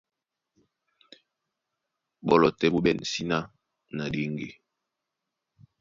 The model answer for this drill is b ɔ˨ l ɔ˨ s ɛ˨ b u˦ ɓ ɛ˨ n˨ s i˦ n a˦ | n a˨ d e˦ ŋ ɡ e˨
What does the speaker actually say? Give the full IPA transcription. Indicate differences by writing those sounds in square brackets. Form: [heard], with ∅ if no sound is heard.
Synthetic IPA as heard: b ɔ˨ l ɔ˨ [t] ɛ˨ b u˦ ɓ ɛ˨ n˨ s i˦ n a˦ | n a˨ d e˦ ŋ ɡ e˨

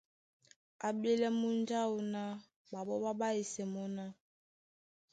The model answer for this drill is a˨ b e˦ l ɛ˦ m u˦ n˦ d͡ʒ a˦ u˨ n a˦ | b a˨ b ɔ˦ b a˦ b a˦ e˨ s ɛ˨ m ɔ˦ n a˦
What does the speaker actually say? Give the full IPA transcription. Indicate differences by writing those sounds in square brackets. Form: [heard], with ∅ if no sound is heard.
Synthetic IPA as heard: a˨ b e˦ l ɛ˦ m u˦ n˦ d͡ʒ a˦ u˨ n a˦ | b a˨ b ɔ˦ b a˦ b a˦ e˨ s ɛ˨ m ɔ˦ n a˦

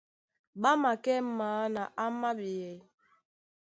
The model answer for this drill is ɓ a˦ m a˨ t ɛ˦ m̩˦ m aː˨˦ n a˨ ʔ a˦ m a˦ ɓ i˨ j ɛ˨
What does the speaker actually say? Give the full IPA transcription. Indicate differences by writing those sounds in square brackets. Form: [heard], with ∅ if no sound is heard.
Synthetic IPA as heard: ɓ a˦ m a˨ [k] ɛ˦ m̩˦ m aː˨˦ n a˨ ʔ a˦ m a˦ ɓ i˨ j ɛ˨

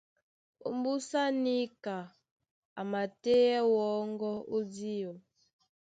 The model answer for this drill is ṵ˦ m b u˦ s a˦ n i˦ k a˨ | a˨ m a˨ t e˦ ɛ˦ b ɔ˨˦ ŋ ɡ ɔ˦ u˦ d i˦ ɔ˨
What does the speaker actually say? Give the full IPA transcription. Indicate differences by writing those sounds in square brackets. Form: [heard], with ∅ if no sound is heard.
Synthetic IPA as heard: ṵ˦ m b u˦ s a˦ n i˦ k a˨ | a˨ m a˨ t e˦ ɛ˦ [w] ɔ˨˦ ŋ ɡ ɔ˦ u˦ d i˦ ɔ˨

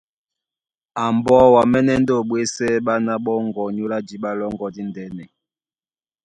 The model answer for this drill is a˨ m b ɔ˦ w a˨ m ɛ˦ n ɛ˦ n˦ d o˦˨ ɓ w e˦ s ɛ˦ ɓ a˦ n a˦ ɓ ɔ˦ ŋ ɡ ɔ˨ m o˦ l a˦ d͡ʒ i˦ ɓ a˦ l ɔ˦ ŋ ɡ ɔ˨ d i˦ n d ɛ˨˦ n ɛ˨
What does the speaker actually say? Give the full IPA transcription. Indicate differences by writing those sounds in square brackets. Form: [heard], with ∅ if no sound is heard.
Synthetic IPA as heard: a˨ m b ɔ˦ w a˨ m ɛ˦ n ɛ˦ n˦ d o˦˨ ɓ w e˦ s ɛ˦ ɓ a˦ n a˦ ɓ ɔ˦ ŋ ɡ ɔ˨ [ɲ] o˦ l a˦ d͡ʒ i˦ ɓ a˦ l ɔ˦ ŋ ɡ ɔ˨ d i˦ n d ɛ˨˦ n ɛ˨

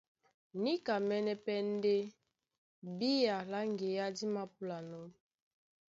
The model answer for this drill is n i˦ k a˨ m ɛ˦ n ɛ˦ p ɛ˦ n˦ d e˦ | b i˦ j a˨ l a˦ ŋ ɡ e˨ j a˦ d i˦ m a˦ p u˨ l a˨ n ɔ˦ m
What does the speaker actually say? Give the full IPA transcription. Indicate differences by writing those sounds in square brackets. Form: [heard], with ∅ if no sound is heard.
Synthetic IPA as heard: n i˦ k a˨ m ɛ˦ n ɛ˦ p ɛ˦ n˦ d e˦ | b i˦ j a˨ l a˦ ŋ ɡ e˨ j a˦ d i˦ m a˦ p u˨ l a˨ n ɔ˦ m

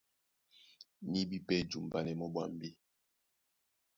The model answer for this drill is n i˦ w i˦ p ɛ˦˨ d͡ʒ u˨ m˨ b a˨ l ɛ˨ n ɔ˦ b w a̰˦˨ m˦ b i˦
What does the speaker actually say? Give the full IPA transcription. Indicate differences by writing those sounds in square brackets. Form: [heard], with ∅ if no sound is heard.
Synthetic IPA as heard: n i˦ [b] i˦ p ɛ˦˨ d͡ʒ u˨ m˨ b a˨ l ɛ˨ [m] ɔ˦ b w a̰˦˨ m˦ b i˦

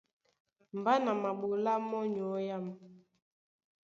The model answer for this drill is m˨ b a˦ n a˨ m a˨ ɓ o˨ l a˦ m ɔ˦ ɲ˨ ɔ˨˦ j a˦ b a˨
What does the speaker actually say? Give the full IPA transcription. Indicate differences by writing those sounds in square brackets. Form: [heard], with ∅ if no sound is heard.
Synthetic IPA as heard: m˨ b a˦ n a˨ m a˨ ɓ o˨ l a˦ m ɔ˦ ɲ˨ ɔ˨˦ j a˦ [m] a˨

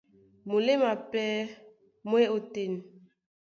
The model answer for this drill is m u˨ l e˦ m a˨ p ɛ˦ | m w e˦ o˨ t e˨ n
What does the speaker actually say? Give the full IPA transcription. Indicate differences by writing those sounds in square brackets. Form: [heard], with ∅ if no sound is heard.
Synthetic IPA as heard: m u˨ l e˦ m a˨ p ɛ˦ | m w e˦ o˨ t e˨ n

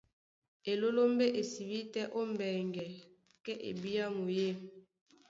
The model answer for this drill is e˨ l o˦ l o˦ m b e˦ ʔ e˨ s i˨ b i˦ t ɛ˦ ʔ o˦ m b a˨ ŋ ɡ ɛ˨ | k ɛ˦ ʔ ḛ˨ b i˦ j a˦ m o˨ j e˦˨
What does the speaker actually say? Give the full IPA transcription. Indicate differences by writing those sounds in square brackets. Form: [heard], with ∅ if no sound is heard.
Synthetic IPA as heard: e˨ l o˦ l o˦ m b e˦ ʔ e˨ s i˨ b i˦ t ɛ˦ ʔ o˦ m b [ɛ˨] ŋ ɡ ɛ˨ | k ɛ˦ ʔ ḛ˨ b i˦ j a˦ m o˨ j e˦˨

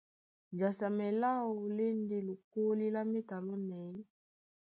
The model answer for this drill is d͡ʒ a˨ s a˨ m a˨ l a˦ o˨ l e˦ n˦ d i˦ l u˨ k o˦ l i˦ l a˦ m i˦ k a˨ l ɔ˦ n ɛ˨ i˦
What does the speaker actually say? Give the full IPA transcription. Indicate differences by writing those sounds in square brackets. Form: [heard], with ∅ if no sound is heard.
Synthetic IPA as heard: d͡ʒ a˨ s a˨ m [ɛ˨] l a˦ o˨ l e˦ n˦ d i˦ l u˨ k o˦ l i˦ l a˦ m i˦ [t] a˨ l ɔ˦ n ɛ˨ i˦

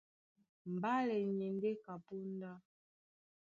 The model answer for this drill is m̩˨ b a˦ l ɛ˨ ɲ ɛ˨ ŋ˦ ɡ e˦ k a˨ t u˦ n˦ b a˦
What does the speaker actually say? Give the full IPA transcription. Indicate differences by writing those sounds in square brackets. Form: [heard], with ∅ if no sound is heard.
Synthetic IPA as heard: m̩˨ b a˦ l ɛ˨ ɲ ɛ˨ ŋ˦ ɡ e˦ k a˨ [p] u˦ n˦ [d] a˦

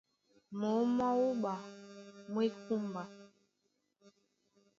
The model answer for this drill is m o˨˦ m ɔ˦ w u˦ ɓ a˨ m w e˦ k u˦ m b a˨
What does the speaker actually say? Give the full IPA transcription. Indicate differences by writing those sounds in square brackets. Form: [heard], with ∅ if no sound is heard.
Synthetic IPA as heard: m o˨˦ m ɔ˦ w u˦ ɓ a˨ m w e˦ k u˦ m b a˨

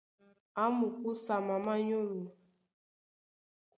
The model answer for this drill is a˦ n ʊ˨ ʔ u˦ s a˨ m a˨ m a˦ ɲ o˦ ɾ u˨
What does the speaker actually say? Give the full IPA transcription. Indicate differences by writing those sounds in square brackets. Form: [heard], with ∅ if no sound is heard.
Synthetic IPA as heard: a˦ [m] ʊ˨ [k] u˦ s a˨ m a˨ m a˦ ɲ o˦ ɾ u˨

